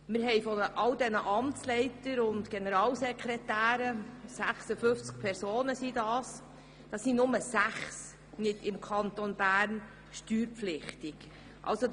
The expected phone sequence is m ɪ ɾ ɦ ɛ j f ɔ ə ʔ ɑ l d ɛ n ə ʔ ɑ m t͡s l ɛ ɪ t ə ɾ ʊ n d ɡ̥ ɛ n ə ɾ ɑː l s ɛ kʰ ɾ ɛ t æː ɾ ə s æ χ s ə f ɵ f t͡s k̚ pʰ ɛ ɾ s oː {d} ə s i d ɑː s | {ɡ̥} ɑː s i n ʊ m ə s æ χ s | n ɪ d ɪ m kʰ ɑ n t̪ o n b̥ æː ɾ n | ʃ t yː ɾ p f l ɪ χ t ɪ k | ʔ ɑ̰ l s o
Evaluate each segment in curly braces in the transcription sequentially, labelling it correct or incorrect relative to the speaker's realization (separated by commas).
incorrect, incorrect